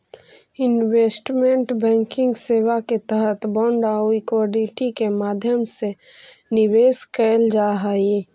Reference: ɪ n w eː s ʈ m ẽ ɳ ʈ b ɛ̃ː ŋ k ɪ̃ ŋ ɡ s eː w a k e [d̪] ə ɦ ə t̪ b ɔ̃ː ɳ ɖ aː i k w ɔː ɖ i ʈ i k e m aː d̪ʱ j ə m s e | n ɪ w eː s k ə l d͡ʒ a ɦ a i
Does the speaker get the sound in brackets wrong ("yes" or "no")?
yes